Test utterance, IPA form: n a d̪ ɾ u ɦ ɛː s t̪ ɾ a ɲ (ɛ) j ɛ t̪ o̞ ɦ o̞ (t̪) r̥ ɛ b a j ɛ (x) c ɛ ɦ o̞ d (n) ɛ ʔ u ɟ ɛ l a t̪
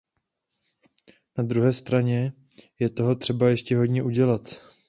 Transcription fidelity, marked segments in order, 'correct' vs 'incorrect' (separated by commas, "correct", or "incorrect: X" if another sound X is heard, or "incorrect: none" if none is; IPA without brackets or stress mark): correct, correct, incorrect: ʃ, incorrect: ɲ